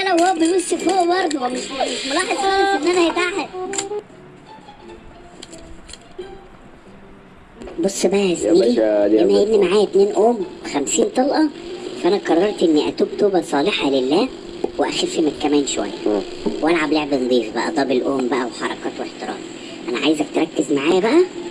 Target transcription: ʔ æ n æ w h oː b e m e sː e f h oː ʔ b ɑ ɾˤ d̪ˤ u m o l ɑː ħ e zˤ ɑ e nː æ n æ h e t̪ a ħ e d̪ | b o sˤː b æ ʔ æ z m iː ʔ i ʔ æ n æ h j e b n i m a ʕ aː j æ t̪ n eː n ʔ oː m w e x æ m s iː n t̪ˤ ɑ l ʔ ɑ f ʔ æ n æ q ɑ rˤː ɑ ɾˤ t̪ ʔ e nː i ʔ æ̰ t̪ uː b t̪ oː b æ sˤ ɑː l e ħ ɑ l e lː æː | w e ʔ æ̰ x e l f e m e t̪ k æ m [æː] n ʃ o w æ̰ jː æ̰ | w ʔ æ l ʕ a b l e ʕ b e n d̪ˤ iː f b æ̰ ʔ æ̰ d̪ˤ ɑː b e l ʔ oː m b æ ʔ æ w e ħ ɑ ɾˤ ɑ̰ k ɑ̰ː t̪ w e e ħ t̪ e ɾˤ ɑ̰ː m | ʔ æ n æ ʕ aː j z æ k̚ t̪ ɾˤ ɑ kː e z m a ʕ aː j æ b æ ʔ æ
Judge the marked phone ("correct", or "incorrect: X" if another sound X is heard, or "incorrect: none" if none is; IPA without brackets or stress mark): correct